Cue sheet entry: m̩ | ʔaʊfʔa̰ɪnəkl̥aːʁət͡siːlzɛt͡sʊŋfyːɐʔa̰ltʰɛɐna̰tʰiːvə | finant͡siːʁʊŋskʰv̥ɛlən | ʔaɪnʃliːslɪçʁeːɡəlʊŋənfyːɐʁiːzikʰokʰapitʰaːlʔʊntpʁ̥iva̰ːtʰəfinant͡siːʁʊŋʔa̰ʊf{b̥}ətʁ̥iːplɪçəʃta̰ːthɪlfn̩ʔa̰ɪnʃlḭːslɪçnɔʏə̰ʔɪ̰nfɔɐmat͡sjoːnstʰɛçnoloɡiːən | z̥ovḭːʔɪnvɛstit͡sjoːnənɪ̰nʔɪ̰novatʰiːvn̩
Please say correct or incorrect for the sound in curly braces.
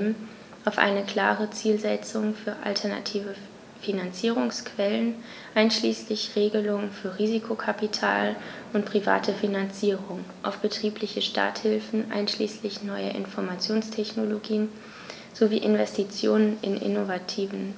correct